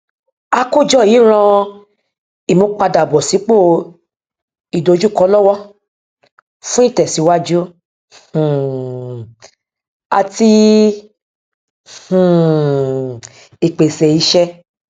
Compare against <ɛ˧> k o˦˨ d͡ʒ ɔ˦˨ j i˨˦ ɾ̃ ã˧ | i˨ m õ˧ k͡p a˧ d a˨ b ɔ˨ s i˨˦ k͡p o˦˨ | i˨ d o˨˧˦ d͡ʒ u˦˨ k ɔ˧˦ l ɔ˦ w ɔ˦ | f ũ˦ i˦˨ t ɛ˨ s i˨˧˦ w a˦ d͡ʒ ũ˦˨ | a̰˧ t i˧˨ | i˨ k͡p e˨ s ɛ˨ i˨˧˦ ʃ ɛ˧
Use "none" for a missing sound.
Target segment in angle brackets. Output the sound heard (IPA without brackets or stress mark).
a˧